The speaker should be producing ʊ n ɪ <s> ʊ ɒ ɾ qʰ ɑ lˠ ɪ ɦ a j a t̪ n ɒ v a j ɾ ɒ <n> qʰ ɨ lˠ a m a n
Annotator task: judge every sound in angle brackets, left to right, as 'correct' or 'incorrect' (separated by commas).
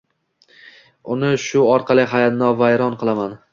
incorrect, correct